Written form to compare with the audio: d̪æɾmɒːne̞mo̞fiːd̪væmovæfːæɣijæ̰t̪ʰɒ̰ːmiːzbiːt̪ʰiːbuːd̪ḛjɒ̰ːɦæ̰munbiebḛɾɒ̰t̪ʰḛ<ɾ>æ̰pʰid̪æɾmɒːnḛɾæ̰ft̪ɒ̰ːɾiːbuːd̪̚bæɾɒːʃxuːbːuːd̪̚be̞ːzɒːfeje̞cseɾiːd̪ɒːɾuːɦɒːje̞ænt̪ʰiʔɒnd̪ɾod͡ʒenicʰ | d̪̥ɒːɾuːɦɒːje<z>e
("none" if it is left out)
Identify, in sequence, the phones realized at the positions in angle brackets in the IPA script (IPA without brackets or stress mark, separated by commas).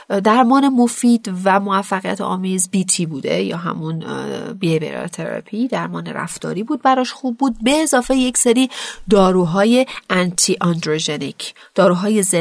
ɾ, z